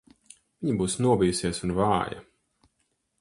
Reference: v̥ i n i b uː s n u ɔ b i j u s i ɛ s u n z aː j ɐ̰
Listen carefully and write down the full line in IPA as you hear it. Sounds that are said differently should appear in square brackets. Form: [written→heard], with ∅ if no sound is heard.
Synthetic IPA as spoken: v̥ i [n→ɲ] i b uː s n u ɔ b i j u s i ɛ s u n [z→v] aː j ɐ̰